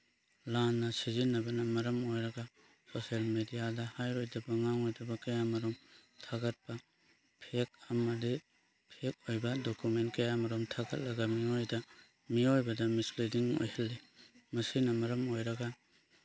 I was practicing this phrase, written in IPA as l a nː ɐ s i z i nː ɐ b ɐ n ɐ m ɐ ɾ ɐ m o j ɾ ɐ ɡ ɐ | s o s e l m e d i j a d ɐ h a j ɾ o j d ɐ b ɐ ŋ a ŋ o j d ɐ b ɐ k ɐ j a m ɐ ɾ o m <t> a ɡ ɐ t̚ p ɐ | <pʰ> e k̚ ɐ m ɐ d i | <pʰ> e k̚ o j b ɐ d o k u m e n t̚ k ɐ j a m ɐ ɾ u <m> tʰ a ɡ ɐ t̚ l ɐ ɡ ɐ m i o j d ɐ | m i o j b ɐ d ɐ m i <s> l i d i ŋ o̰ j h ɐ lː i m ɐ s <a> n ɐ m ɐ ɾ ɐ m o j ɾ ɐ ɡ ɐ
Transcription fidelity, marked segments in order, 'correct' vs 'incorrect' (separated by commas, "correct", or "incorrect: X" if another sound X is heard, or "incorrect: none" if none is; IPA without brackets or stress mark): incorrect: tʰ, correct, correct, correct, correct, incorrect: i